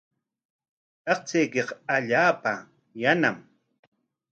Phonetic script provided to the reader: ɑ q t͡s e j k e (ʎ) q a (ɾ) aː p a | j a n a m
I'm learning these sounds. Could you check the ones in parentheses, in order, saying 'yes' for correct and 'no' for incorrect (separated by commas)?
no, no